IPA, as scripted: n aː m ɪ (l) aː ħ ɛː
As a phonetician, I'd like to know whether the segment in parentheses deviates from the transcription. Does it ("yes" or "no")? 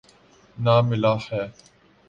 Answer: no